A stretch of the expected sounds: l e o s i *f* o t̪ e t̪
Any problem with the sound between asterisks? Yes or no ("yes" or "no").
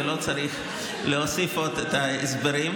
no